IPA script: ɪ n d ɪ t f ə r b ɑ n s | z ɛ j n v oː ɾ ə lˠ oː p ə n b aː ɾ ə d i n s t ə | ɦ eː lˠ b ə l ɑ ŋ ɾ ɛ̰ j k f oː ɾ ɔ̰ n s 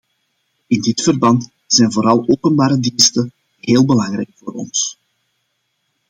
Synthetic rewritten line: ɪ n d ɪ t f ə r b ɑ n t | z ɛ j n v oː ɾ ɑ lˠ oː p ə n b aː ɾ ə d i n s t ə | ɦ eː lˠ b ə l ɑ ŋ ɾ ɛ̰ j k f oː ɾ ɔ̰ n s